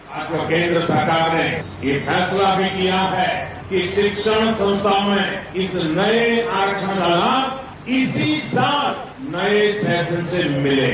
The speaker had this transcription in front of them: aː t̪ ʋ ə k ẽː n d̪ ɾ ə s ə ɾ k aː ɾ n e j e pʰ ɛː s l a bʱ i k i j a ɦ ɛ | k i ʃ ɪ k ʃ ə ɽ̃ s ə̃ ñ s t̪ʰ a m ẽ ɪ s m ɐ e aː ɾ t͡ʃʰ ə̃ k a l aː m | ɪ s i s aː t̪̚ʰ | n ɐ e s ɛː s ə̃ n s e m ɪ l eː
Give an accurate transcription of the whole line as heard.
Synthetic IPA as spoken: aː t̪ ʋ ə k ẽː n d̪ ɾ ə s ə ɾ k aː ɾ n e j e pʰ ɛː s l a bʱ i k i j a ɦ ɛ | k i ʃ ɪ k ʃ ə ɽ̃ s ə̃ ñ s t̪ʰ a m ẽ ɪ s n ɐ e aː ɾ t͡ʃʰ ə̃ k a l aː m | ɪ s i s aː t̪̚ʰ | n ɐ e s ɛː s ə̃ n s e m ɪ l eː